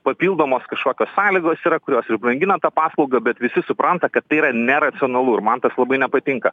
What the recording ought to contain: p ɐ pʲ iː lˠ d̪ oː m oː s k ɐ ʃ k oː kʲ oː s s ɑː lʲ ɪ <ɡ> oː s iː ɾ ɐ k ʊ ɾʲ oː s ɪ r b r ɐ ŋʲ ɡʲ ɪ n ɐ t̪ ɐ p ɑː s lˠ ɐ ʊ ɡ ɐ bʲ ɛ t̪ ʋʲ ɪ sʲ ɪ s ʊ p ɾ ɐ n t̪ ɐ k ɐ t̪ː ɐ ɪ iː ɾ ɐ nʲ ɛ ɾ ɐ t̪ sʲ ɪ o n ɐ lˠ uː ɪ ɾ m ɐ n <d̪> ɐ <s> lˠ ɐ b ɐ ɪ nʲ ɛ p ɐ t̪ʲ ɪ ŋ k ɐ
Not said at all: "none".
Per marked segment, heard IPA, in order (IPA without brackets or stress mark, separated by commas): ɡ, t̪, s